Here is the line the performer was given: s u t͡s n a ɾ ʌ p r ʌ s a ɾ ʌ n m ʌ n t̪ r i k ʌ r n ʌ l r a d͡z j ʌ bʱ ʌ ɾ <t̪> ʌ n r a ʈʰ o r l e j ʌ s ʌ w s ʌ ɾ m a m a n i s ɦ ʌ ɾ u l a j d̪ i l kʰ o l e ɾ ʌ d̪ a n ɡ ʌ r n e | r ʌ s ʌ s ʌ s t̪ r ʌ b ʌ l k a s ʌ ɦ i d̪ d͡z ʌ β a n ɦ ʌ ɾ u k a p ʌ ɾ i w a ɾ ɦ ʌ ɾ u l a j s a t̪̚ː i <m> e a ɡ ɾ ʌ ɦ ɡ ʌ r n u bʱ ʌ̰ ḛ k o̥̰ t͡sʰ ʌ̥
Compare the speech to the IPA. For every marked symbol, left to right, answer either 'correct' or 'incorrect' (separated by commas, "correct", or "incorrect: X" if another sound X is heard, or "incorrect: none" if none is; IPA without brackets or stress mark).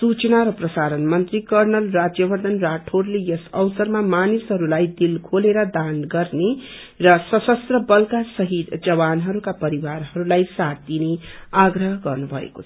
incorrect: d̪, incorrect: n